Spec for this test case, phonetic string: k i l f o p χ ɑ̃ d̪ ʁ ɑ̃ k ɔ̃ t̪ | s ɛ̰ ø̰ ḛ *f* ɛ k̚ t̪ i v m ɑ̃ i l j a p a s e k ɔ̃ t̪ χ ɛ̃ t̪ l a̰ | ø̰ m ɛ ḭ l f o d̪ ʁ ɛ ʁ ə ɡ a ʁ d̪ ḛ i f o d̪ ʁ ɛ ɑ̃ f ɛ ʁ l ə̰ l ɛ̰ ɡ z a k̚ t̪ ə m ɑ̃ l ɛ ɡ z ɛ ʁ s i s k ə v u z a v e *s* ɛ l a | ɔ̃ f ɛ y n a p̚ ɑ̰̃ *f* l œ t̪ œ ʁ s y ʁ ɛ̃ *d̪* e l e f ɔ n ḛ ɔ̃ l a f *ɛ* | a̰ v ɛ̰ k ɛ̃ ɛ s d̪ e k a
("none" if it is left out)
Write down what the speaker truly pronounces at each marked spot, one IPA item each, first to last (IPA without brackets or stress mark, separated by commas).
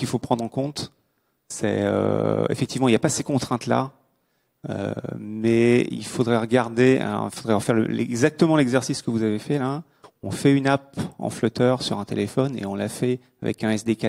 f, f, f, t̪, ɛ